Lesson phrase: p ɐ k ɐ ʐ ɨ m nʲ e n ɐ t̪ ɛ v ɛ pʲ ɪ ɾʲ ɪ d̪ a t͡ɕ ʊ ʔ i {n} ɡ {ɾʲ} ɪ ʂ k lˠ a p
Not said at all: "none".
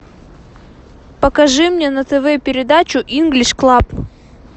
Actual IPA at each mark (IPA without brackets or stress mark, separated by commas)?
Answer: n, lʲ